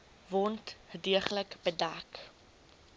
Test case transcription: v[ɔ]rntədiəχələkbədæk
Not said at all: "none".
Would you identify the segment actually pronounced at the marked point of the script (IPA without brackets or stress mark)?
ɔ